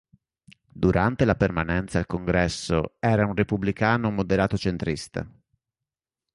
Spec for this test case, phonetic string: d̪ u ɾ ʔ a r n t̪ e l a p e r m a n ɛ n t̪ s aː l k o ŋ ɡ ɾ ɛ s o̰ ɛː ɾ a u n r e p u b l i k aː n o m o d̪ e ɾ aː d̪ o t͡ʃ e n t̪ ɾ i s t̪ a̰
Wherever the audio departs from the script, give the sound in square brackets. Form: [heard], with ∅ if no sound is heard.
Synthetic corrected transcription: d̪ u ɾ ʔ a [∅] n t̪ e l a p e r m a n ɛ n t̪ s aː l k o ŋ ɡ ɾ ɛ [sː] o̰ ɛː ɾ a u n r e p u b l i k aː n o m o d̪ e ɾ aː [t̪] o t͡ʃ e n t̪ ɾ i s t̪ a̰